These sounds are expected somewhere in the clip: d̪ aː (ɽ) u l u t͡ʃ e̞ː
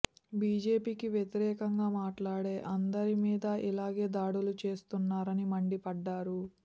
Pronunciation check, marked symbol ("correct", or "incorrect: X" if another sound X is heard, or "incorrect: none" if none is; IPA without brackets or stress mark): correct